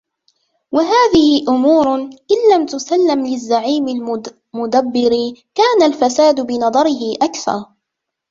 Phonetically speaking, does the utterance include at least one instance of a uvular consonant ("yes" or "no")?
no